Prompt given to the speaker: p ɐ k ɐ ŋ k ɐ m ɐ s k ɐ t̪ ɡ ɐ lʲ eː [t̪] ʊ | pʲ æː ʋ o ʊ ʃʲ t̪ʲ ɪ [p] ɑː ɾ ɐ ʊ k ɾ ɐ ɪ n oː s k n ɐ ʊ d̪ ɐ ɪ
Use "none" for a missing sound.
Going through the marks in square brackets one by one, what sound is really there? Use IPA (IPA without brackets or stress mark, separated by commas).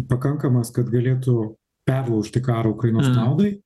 t̪, k